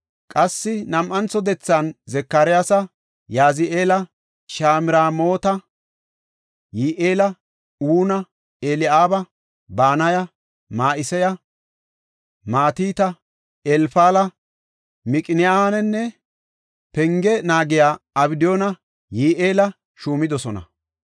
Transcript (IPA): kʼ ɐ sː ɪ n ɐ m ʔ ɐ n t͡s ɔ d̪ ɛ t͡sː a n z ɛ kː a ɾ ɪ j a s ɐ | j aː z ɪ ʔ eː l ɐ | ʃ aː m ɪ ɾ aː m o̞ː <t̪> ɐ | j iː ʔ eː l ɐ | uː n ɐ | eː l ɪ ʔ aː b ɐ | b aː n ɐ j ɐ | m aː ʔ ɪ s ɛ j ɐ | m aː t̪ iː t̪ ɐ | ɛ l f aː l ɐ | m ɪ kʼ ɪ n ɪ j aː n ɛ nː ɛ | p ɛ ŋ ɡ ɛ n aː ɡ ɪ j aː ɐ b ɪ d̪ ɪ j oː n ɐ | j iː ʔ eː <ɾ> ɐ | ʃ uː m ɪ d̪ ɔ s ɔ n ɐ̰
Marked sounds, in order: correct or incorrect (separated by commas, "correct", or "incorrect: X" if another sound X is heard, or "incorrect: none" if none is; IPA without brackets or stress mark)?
correct, incorrect: l